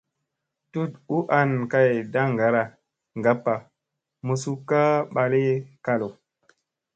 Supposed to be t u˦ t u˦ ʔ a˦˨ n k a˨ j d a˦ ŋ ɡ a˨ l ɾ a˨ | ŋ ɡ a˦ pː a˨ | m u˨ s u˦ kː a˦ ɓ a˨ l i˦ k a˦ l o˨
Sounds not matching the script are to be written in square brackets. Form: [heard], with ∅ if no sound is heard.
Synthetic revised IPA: t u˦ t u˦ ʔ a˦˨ n k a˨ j d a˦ ŋ ɡ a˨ [∅] ɾ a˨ | ŋ ɡ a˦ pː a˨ | m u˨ s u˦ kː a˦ ɓ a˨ l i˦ k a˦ l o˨